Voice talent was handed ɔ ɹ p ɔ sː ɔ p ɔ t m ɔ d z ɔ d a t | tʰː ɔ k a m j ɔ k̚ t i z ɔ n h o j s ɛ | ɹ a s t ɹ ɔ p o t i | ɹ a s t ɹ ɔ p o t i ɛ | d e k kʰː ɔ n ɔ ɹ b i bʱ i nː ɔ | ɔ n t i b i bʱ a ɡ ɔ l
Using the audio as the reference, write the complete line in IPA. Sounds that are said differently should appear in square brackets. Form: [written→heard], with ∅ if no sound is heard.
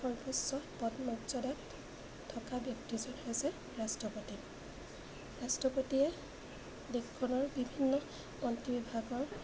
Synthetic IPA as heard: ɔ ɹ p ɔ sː ɔ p ɔ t m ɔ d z ɔ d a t | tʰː ɔ k a [m→b] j ɔ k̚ t i z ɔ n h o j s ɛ | ɹ a s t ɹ ɔ p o t i | ɹ a s t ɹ ɔ p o t i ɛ | d e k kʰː ɔ n ɔ ɹ b i bʱ i nː ɔ | ɔ n t i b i bʱ a ɡ ɔ [l→ɹ]